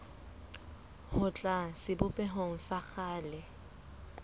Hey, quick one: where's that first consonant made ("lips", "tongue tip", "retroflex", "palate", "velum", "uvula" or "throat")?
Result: throat